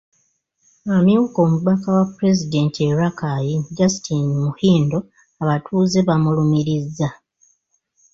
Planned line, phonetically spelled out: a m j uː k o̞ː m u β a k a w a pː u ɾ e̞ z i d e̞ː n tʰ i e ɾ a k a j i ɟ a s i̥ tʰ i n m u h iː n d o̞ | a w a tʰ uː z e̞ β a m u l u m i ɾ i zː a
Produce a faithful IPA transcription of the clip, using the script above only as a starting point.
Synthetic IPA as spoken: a m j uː k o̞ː m u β a k a w a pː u ɾ e̞ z i d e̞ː n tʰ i e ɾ a k a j i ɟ a s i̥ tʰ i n m u h iː n d o̞ | a β a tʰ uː z e̞ β a m u l u m i ɾ i zː a